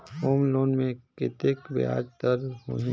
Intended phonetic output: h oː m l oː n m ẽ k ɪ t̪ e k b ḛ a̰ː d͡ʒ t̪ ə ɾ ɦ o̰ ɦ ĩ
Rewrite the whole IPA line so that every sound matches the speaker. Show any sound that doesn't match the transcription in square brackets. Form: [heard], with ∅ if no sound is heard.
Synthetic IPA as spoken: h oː m l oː n m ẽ k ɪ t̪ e k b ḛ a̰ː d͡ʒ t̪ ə ɾ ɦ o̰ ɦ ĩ